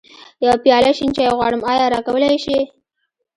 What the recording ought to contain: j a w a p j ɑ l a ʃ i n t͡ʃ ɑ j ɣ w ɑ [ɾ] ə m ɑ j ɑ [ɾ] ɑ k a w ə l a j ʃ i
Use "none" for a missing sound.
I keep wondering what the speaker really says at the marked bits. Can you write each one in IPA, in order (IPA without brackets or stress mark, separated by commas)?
ɽ, ɾ